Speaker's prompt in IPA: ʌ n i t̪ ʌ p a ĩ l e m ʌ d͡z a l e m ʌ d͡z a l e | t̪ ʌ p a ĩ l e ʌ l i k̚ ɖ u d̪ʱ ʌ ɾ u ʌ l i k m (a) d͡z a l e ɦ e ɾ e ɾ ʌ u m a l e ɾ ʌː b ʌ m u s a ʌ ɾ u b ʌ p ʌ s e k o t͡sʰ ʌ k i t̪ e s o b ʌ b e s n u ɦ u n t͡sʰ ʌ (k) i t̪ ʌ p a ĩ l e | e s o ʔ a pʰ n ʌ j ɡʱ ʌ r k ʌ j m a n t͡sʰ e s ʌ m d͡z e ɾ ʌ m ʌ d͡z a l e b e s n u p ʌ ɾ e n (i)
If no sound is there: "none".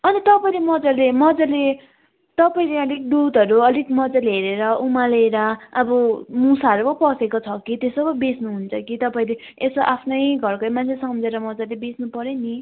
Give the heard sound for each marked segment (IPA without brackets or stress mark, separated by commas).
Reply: ʌ, k, i